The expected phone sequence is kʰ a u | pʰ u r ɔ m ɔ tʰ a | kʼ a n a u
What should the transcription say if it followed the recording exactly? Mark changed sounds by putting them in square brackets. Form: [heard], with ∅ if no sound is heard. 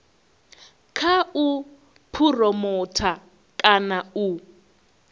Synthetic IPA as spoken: kʰ a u | pʰ u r ɔ m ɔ tʰ a | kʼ a n a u

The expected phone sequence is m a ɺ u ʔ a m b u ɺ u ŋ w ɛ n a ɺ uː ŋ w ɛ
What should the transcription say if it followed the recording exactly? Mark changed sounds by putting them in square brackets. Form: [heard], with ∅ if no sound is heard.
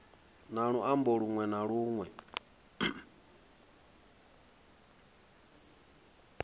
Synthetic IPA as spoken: [n] a ɺ u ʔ a m b [ɔ] ɺ u ŋ w ɛ n a ɺ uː ŋ w ɛ

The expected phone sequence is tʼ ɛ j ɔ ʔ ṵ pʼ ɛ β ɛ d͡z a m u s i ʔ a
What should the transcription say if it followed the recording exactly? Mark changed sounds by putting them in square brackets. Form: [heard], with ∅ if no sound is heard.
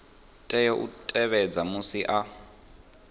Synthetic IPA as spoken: tʼ ɛ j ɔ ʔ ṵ [tʼ] ɛ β ɛ d͡z a m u s i ʔ a

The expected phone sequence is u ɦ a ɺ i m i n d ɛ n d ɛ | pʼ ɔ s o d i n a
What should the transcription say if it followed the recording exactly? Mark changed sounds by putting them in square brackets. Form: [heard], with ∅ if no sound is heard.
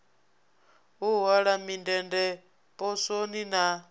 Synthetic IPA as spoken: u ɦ a ɺ [a] m i n d ɛ n d ɛ | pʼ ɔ s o [n] i n a

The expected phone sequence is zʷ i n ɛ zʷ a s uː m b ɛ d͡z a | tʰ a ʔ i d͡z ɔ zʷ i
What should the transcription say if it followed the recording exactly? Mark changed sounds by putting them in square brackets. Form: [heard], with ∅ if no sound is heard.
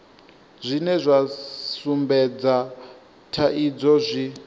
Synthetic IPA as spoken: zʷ i n ɛ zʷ a s [u] m b ɛ d͡z a | tʰ a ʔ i d͡z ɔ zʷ i

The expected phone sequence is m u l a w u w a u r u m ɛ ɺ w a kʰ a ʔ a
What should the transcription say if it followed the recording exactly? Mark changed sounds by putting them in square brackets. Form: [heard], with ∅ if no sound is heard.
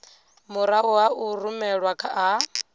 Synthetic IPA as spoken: m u [ɾ] a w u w a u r u m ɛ ɺ w a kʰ a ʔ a

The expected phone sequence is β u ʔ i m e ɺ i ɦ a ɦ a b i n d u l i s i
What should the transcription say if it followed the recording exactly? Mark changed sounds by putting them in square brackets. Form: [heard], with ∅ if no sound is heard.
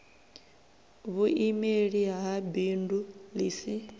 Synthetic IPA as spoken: β u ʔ i m e ɺ i ɦ a ɦ a b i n d u l i s i

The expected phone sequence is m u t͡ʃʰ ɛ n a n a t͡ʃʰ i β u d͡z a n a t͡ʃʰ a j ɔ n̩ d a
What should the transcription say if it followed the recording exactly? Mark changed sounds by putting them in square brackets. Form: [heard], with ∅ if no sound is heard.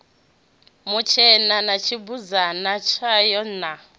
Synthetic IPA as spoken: m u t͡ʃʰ ɛ n a n a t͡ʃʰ i [b] u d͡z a n a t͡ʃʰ a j ɔ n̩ [n] a

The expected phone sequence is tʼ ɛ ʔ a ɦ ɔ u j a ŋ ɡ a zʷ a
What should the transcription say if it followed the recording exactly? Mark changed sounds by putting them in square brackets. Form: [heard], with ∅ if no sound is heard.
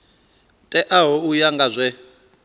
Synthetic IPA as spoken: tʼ ɛ ʔ a ɦ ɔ u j a ŋ ɡ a zʷ [ɛ]

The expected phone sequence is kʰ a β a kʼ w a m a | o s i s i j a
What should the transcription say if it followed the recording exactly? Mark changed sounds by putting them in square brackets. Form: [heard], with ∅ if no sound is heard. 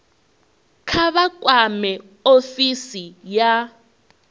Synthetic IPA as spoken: kʰ a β a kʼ w a m [ɛ] | o [f] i s i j a

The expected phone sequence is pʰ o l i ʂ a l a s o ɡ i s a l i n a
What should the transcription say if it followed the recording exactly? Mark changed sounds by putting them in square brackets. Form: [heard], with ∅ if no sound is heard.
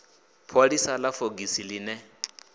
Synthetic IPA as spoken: pʰ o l i [s] a l a [f] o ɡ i s [i] l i n [ɛ]

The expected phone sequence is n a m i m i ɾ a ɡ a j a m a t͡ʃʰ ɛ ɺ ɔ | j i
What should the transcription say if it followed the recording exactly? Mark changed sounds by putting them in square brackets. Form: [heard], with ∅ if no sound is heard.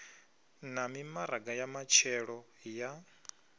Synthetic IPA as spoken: n a m i m [a] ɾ a ɡ a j a m a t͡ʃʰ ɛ ɺ ɔ | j [a]

